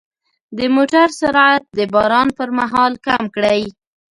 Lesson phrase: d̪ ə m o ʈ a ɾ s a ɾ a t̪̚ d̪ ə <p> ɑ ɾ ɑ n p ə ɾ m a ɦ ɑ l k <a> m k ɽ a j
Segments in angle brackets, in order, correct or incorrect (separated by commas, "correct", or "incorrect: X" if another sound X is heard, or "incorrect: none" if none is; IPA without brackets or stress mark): incorrect: b, correct